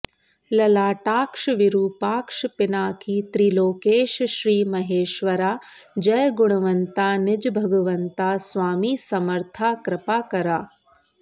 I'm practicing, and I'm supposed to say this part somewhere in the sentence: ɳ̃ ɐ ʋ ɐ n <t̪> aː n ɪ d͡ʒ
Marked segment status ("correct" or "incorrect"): correct